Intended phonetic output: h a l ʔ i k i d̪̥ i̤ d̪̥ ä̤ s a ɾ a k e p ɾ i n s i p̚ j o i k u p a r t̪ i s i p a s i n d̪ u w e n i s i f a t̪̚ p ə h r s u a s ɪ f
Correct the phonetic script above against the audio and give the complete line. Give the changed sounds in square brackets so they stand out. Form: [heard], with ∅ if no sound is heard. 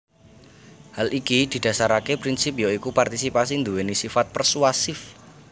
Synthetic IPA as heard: h a l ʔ i k i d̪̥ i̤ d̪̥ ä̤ s a ɾ a k e p ɾ i n s i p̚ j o i k u p a r t̪ i s i p a s i n d̪ u w e n i s i f a t̪̚ p ə [∅] r s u a s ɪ f